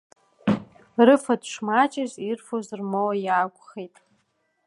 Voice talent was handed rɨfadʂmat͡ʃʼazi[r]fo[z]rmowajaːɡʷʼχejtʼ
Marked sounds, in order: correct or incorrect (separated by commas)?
correct, correct